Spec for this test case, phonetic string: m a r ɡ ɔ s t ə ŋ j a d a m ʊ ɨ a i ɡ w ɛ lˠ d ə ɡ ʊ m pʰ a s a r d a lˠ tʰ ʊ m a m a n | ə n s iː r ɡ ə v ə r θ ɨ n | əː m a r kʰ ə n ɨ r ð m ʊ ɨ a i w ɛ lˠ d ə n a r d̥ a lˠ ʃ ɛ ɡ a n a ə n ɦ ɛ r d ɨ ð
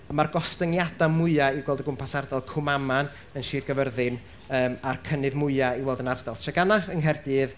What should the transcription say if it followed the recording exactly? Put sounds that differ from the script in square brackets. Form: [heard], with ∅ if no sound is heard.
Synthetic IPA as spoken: m a r ɡ ɔ s t ə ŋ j a d a m ʊ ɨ a i ɡ w ɛ lˠ d ə ɡ ʊ m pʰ a s a r d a lˠ [kʰ] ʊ m a m a n | ə n [ʃ] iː r ɡ ə v ə r [ð] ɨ n | əː m a r kʰ ə n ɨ [∅] ð m ʊ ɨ a i w ɛ lˠ d ə n a r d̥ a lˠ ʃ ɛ ɡ a n a ə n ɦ ɛ r d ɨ ð